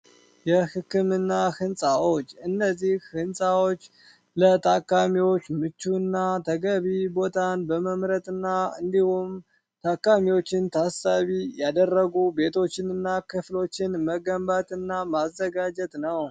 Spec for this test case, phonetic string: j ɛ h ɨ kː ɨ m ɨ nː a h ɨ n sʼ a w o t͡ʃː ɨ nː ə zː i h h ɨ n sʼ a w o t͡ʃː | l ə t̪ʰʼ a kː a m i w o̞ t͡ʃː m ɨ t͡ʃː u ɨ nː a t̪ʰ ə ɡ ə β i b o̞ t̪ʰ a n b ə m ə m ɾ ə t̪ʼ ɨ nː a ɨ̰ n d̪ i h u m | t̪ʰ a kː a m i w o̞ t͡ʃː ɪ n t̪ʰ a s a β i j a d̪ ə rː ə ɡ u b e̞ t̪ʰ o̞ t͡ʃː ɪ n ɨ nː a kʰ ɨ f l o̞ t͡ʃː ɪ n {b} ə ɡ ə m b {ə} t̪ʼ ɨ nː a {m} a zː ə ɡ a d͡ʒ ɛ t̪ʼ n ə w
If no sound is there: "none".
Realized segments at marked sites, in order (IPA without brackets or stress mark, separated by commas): m, a, m